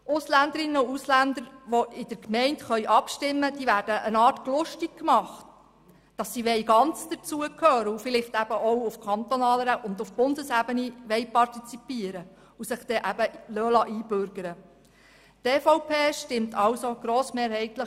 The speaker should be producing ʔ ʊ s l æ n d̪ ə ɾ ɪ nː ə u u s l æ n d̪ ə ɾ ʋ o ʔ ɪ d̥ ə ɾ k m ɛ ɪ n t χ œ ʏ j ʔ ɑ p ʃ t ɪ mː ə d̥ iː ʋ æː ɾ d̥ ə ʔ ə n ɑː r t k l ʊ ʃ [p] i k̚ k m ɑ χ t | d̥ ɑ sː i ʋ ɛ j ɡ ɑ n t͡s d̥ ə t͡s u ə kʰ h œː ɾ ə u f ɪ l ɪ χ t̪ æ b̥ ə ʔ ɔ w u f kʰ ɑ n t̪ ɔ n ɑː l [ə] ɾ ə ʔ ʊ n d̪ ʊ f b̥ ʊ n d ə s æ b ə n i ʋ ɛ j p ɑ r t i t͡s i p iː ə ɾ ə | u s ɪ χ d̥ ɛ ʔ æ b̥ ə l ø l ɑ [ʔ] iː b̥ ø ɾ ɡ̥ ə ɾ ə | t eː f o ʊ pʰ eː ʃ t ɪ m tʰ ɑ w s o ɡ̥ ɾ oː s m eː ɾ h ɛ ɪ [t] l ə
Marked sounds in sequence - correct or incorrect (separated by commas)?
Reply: incorrect, correct, correct, correct